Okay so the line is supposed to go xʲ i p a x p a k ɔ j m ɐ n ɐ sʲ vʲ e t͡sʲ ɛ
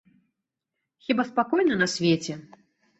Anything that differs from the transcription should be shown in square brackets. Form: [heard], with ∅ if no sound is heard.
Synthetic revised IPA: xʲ i [b] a [s] p a k ɔ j [n] ɐ n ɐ sʲ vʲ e t͡sʲ ɛ

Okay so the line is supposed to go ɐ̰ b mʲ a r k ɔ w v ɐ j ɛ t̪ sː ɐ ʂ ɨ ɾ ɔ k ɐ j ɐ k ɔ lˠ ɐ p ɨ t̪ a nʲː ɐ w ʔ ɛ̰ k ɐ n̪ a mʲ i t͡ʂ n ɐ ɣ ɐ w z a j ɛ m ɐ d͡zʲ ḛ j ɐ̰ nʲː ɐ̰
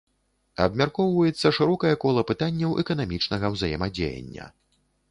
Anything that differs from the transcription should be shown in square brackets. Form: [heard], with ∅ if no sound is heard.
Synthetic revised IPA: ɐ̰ b mʲ a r k ɔ w v ɐ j ɛ t̪ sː ɐ ʂ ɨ ɾ ɔ k ɐ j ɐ k ɔ lˠ ɐ p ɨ t̪ a nʲː ɐ w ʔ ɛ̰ k ɐ n̪ a mʲ i t͡ʂ n ɐ ɣ ɐ w z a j ɛ m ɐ d͡zʲ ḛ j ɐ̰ nʲː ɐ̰

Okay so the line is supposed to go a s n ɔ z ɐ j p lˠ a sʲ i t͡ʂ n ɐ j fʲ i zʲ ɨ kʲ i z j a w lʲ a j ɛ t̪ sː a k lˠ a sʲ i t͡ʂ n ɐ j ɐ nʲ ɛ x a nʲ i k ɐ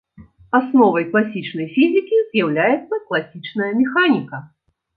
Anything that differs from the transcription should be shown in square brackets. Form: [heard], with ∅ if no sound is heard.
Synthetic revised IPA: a s n ɔ [v] ɐ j [k] lˠ a sʲ i t͡ʂ n ɐ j fʲ i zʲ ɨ kʲ i z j a w lʲ a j ɛ t̪ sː [ɐ] k lˠ a sʲ i t͡ʂ n ɐ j ɐ [mʲ] ɛ x a nʲ i k ɐ

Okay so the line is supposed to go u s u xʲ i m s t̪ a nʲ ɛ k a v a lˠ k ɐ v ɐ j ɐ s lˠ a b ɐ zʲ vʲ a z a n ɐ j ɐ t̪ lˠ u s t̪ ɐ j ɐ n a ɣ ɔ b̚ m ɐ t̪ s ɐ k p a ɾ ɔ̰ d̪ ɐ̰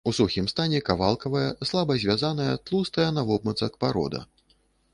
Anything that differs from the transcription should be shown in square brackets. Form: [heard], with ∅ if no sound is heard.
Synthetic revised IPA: u s u xʲ i m s t̪ a nʲ ɛ k a v a lˠ k ɐ v ɐ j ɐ s lˠ a b ɐ zʲ vʲ a z a n ɐ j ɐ t̪ lˠ u s t̪ ɐ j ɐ n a [v] ɔ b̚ m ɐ t̪ s ɐ k p a ɾ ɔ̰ d̪ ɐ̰

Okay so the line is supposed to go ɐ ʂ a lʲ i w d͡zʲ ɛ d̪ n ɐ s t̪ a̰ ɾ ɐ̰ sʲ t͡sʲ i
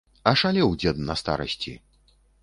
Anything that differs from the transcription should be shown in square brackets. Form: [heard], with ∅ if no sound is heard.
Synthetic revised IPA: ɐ ʂ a lʲ [ɛ] w d͡zʲ ɛ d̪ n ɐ s t̪ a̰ ɾ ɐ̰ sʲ t͡sʲ i

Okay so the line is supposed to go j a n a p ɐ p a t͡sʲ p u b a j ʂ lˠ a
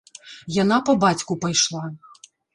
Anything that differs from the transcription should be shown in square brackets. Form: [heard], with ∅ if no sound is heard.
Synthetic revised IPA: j a n a p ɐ [b] a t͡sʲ [k] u [p] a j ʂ lˠ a

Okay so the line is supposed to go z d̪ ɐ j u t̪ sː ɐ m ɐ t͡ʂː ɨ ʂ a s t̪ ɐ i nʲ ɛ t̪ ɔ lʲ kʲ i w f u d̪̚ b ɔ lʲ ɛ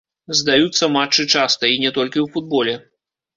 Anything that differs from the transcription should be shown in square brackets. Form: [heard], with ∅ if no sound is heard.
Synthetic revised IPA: z d̪ [a] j u t̪ sː ɐ m [a] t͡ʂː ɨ [t͡ʂ] a s t̪ ɐ i nʲ ɛ t̪ ɔ lʲ kʲ i w f u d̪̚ b ɔ lʲ ɛ

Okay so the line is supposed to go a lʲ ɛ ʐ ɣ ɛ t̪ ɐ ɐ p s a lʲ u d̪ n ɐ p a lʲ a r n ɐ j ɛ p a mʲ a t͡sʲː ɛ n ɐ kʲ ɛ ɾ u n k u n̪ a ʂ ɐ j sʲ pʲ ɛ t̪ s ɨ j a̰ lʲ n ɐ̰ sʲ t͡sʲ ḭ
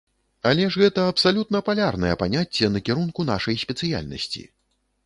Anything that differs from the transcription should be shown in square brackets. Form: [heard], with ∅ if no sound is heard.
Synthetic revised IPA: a lʲ ɛ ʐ ɣ ɛ t̪ ɐ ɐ p s a lʲ u [t̪] n ɐ p a lʲ a r n ɐ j ɛ p a [nʲ] a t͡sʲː ɛ n ɐ kʲ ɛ ɾ u n k u n̪ a ʂ ɐ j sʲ pʲ ɛ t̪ s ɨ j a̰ lʲ n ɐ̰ sʲ t͡sʲ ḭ

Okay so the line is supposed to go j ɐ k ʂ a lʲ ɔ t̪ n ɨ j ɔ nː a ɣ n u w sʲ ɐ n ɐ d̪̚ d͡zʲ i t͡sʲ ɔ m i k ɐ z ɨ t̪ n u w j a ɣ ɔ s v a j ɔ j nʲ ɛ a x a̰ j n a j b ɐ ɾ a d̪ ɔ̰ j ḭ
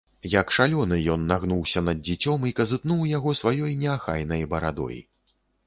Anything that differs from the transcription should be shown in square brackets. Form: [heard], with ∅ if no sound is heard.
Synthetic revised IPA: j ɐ k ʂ a lʲ ɔ [∅] n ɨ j ɔ nː a ɣ n u w sʲ ɐ n ɐ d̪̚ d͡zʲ i t͡sʲ ɔ m i k ɐ z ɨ t̪ n u w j a ɣ ɔ s v a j ɔ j nʲ ɛ a x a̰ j n [ɐ] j b ɐ ɾ a d̪ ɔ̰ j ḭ

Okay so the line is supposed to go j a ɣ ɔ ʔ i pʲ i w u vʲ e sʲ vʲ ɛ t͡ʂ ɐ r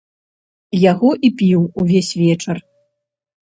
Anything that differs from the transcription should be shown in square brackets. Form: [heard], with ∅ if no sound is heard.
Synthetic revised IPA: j a ɣ ɔ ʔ i pʲ i w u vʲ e sʲ vʲ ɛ t͡ʂ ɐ r

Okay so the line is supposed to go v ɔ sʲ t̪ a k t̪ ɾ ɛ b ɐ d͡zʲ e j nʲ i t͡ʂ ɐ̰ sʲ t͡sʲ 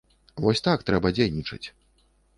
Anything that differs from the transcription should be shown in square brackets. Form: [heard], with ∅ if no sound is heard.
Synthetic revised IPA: v ɔ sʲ t̪ a k t̪ ɾ ɛ b ɐ d͡zʲ e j nʲ i t͡ʂ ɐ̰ [∅] t͡sʲ

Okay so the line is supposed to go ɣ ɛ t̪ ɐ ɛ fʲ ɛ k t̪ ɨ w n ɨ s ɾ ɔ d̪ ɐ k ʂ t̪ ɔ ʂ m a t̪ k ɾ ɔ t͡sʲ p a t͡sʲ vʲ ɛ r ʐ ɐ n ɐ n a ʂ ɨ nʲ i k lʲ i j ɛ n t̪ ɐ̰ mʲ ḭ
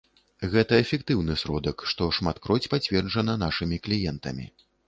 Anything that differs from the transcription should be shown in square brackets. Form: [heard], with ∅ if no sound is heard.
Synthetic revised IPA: ɣ ɛ t̪ ɐ ɛ fʲ ɛ k t̪ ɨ w n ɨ s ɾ ɔ d̪ ɐ k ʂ t̪ ɔ ʂ m a t̪ k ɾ ɔ t͡sʲ p a t͡sʲ vʲ ɛ r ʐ ɐ n ɐ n a ʂ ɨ [mʲ] i k lʲ i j ɛ n t̪ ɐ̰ mʲ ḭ

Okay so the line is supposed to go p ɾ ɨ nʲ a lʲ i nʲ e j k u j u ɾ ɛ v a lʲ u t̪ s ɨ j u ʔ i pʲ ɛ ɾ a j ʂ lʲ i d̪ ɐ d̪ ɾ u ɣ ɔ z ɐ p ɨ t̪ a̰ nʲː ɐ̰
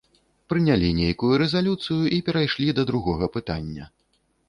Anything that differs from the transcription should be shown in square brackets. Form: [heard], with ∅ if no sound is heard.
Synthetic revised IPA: p ɾ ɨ nʲ a lʲ i nʲ e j k u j u ɾ ɛ [z] a lʲ u t̪ s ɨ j u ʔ i pʲ ɛ ɾ a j ʂ lʲ i d̪ ɐ d̪ ɾ u ɣ ɔ [ɣ] ɐ p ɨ t̪ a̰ nʲː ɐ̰

